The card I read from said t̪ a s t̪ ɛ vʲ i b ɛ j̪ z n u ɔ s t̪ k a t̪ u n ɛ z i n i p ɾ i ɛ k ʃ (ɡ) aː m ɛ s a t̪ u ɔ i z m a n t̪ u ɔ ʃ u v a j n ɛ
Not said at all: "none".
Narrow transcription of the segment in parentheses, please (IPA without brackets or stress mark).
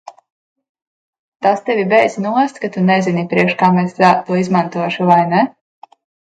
k